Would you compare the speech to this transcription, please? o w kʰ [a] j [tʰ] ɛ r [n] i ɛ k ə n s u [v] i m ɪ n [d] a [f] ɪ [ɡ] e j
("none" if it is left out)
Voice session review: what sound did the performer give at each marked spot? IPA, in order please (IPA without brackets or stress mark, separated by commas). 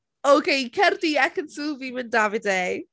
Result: e, kʰ, d, v, d, v, d